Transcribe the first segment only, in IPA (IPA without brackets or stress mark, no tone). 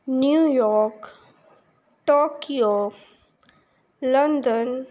n